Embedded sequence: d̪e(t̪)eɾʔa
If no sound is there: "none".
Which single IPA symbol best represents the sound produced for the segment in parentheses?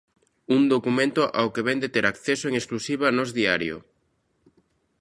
t̪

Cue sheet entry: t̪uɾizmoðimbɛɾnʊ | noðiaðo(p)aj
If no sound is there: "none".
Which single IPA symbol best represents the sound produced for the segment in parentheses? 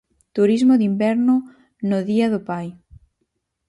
p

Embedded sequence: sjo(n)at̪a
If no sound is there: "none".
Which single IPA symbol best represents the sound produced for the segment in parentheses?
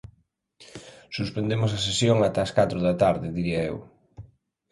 ŋ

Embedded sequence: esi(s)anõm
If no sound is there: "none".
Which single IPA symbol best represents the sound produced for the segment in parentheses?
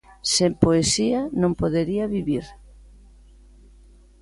none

